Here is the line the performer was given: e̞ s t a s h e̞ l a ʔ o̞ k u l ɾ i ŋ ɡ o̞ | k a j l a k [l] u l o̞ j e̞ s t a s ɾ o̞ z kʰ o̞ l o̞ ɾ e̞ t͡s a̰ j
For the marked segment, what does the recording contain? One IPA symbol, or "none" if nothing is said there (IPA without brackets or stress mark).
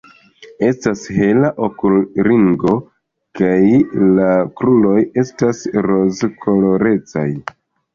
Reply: ɾ